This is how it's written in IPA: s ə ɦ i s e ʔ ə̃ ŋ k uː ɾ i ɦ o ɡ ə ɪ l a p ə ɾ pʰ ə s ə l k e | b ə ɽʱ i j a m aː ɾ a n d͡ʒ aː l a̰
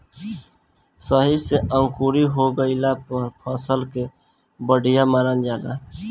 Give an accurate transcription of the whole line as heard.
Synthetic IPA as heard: s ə ɦ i s e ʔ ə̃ ŋ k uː ɾ i ɦ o ɡ ə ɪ l a p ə ɾ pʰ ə s ə l k e | b ə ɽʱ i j a m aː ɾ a n d͡ʒ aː l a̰